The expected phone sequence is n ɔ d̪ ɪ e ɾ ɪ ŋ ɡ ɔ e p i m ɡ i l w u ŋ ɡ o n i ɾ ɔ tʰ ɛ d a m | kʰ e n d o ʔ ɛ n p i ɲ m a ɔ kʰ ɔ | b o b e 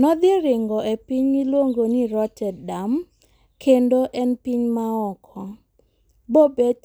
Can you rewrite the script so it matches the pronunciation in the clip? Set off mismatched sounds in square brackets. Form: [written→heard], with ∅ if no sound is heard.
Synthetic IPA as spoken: n ɔ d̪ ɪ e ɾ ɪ ŋ ɡ ɔ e p i [m→ɲ] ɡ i l w [u→o] ŋ ɡ o n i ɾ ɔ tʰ ɛ d a m | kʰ e n d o ʔ ɛ n p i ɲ m a ɔ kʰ ɔ | b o b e